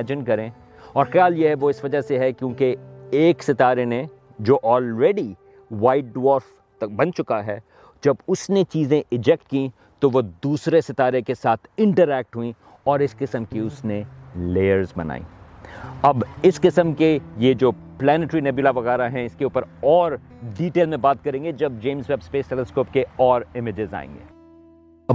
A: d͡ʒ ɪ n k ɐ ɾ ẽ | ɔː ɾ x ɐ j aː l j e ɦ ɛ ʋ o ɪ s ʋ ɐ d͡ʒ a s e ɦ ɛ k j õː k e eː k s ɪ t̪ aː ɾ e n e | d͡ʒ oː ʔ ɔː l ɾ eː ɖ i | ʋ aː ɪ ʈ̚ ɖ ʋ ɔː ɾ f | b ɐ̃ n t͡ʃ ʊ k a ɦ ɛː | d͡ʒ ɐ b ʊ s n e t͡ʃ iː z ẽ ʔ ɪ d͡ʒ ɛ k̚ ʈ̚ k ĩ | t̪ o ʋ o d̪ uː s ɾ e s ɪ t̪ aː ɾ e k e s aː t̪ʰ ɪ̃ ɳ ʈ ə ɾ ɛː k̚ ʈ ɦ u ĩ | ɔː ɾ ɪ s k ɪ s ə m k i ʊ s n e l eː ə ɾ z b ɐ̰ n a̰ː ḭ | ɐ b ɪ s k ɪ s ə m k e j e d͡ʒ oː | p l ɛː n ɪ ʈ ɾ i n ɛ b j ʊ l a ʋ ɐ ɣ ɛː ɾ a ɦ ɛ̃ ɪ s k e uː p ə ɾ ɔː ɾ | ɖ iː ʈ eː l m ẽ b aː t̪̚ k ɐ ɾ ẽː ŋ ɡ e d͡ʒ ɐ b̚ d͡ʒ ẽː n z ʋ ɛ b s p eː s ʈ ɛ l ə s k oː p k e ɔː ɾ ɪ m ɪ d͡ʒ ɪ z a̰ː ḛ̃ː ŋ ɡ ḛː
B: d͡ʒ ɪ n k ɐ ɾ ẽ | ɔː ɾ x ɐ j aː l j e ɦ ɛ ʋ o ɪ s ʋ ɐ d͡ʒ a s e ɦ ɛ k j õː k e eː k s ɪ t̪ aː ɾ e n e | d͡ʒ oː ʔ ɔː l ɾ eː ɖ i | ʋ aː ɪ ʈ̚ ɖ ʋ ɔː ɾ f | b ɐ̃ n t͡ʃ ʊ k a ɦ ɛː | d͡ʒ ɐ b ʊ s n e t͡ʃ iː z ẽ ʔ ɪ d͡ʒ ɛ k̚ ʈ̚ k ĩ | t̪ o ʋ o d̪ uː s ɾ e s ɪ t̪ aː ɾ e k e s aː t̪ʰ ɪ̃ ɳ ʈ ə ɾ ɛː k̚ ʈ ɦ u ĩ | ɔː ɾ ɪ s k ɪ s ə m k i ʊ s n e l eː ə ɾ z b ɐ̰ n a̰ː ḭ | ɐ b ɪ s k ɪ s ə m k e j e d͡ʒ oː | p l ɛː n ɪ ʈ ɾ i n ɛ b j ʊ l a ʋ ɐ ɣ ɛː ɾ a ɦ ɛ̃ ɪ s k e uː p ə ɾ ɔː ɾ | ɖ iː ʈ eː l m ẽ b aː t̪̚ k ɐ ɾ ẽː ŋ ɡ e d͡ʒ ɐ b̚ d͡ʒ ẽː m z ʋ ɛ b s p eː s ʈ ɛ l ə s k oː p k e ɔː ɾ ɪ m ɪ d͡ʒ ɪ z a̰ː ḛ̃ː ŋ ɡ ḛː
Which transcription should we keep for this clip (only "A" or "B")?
B